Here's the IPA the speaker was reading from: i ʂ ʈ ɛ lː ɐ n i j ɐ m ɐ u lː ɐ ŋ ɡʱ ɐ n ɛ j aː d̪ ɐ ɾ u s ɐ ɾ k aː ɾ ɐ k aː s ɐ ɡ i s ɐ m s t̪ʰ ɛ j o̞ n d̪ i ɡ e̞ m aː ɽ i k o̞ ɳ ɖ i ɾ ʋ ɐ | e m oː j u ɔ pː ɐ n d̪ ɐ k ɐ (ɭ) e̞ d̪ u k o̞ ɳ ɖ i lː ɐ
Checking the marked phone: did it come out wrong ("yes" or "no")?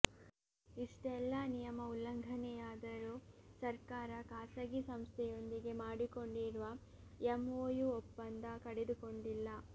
yes